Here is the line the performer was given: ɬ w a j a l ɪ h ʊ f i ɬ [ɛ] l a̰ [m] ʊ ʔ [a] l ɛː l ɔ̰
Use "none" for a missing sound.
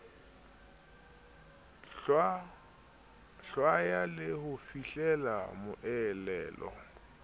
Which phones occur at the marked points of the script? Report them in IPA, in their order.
ɛ, m, ɛ

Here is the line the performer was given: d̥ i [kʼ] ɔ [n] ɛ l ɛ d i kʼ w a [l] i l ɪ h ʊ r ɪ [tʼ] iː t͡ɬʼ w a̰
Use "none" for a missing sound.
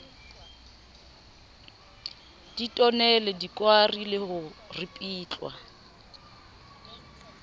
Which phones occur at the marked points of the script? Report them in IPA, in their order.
tʼ, n, r, pʼ

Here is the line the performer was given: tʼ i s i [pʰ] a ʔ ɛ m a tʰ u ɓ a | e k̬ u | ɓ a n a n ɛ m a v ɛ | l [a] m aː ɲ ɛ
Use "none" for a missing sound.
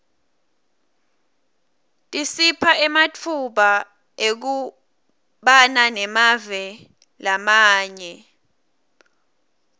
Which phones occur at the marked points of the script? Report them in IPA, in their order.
pʰ, a

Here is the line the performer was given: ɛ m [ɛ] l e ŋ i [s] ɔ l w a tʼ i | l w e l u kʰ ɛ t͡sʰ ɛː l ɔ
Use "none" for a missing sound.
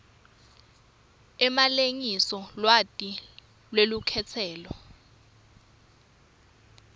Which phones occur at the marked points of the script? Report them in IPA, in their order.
a, s

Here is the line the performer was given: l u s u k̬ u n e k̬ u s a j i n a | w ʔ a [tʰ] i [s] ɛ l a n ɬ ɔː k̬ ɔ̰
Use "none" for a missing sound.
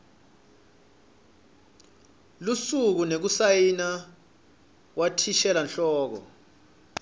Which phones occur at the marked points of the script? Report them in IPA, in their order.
tʰ, ʃ

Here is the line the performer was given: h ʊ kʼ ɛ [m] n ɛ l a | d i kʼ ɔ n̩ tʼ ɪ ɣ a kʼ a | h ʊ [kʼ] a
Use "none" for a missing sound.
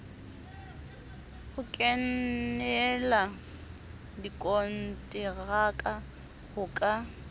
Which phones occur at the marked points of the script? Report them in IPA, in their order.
n, kʼ

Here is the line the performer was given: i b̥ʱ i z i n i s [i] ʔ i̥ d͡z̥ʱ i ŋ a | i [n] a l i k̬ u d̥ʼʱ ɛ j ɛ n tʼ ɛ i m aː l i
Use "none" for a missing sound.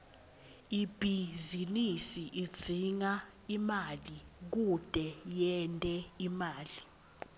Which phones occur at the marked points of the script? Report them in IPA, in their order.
i, m

